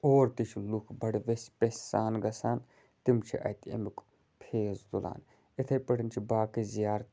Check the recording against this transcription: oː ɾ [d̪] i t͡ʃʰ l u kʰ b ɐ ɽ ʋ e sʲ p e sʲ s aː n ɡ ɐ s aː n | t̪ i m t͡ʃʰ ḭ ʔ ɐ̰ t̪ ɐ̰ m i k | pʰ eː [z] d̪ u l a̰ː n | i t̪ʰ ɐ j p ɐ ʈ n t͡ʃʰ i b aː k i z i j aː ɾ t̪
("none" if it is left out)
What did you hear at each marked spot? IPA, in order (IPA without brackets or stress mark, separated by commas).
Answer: t̪, z